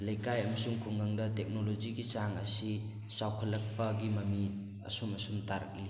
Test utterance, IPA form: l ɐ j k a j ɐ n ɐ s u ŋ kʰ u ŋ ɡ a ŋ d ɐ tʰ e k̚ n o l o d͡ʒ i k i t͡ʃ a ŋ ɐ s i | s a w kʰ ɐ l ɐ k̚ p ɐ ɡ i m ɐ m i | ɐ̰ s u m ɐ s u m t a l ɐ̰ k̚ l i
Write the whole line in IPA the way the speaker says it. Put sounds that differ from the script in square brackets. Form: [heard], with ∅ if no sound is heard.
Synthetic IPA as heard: l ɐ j k a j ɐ [m] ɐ s u ŋ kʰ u ŋ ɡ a ŋ d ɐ [t] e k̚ n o l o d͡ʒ i [ɡ] i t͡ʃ a ŋ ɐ s i | s a w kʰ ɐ l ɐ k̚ p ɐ ɡ i m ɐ m i | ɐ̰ s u m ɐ s u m t a [ɾ] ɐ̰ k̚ l i